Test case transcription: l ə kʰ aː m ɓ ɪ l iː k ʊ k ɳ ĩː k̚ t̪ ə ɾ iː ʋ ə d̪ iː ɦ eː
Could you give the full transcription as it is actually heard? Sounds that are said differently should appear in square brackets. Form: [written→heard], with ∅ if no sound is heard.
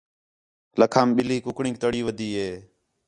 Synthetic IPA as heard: l ə kʰ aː m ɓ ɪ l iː k ʊ k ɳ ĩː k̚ t̪ ə [ɾ→ɽ] iː ʋ ə d̪ iː ɦ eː